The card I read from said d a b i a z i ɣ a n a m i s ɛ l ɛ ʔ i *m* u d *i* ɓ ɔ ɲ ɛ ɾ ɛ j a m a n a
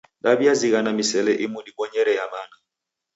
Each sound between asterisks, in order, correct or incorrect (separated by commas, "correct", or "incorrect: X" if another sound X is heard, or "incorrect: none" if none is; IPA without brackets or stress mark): correct, correct